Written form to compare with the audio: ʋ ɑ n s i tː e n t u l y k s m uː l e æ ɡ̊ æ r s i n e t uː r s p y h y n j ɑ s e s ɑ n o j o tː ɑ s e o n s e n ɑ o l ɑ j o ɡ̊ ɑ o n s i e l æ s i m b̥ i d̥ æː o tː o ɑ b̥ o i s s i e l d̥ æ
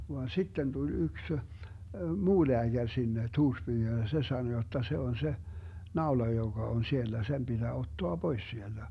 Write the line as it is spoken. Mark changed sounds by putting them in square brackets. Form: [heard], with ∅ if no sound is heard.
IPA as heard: ʋ ɑ n s i tː e n t u l y k s m uː l e æ ɡ̊ æ r s i [nː] e t uː r s p [yː] h y n j ɑ s e s ɑ n o j o tː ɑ s e o n s e n ɑ o l ɑ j o ɡ̊ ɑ o n s i e [lː] æ s [e] m b̥ i d̥ æː o tː o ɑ b̥ o i s s i e l d̥ æ